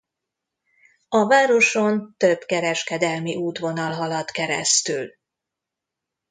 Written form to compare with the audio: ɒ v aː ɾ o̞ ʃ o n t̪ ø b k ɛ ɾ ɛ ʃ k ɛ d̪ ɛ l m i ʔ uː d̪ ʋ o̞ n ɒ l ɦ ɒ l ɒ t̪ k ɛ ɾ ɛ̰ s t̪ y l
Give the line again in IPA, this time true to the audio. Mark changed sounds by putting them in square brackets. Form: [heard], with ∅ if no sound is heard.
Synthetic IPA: ɒ v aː ɾ o̞ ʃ o n t̪ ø b k ɛ ɾ ɛ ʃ k ɛ d̪ ɛ l m i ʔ uː [t̪] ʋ o̞ n ɒ l ɦ ɒ l ɒ t̪ k ɛ ɾ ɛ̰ s t̪ y l